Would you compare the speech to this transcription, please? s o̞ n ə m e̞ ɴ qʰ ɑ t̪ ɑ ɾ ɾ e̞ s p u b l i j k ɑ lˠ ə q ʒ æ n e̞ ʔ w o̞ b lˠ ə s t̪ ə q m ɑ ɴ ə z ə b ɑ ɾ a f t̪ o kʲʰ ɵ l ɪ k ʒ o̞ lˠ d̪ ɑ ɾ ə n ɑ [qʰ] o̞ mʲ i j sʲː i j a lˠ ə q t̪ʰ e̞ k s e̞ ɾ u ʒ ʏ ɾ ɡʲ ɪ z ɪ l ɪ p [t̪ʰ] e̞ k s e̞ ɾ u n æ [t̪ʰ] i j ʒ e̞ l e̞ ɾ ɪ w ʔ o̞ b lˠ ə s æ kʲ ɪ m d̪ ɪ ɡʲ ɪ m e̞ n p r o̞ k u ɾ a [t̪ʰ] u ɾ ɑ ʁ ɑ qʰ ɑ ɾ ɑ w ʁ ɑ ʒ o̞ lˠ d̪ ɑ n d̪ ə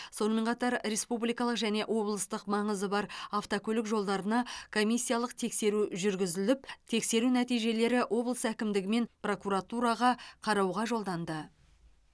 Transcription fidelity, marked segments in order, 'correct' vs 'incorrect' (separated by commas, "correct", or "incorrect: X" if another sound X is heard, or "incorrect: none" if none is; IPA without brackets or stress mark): incorrect: kʰ, correct, incorrect: t̪, incorrect: t̪